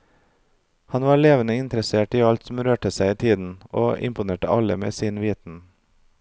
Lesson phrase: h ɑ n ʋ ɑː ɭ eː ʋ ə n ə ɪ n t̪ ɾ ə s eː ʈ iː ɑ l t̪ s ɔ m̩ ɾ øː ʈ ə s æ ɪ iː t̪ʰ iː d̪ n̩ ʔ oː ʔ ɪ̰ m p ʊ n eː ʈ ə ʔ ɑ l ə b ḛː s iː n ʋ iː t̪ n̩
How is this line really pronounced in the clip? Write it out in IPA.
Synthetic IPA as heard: h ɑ n ʋ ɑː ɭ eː ʋ ə n ə ɪ n t̪ ɾ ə s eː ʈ iː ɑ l t̪ s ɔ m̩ ɾ øː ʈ ə s æ ɪ iː t̪ʰ iː d̪ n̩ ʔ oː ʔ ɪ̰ m p ʊ n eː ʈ ə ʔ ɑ l ə m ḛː s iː n ʋ iː t̪ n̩